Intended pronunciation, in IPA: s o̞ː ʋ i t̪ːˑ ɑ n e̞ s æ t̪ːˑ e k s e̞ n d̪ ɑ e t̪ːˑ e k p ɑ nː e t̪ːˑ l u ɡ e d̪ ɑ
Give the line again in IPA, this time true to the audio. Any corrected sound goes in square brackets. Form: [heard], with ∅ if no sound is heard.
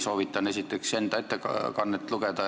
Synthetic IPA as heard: s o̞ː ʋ i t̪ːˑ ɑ n e̞ s [i] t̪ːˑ e k s e̞ n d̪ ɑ e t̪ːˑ e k [k] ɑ nː e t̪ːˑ l u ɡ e d̪ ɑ